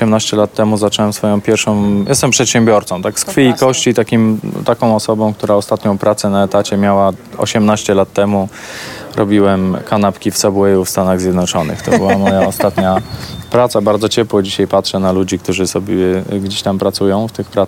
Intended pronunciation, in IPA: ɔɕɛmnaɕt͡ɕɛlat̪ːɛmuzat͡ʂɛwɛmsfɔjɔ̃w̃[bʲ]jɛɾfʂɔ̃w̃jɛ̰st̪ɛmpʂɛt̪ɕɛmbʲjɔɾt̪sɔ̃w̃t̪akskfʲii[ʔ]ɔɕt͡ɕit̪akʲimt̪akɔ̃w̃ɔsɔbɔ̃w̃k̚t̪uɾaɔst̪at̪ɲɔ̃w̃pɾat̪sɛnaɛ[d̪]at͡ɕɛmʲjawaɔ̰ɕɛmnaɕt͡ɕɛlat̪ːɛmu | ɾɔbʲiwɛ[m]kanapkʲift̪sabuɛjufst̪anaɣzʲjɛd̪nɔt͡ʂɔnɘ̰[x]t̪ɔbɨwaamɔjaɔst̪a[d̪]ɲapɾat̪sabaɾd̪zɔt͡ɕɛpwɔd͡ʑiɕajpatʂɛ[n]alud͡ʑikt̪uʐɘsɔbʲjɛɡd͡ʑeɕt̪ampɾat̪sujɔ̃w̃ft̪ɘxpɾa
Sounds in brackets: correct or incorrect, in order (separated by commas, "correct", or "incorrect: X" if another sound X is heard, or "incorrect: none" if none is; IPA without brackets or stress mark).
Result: incorrect: pʲ, incorrect: k, incorrect: t̪, correct, correct, incorrect: t̪, correct